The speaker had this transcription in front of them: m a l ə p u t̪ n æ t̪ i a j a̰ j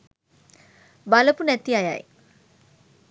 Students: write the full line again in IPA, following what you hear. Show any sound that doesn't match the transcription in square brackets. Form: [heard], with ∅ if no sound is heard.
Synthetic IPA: [b] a l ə p u [∅] n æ t̪ i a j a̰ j